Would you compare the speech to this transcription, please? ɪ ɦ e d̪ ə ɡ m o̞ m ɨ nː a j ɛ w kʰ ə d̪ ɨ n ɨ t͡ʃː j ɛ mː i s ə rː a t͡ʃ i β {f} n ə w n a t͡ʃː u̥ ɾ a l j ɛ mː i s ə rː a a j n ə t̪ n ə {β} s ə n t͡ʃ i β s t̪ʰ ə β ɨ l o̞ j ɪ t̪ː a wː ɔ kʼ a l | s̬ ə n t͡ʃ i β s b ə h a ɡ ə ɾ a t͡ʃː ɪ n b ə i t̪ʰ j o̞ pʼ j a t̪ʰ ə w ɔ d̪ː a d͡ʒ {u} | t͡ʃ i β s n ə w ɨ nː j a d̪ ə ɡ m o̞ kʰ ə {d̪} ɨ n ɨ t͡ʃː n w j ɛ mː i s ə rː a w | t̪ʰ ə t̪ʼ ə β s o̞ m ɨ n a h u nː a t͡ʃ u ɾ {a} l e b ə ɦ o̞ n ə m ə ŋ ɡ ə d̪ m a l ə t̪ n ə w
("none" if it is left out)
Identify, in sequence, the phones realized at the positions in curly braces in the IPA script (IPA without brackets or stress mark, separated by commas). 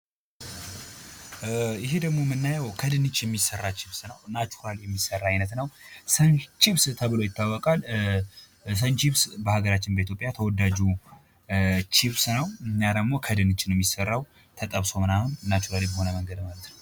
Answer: s, w, u, d̪, a